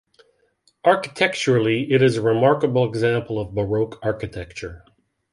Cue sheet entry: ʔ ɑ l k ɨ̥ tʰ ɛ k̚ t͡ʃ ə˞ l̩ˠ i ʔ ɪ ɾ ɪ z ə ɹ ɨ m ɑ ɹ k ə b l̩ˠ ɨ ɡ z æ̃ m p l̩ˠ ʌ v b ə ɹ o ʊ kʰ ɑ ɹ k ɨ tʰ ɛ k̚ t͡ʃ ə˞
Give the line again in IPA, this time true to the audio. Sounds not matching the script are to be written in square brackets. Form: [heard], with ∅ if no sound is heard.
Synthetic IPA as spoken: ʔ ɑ [ɹ] k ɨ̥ tʰ ɛ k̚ t͡ʃ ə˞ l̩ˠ i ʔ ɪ ɾ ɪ z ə ɹ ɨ m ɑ ɹ k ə b l̩ˠ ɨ ɡ z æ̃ m p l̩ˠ ʌ v b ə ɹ o ʊ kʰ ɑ ɹ k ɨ tʰ ɛ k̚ t͡ʃ ə˞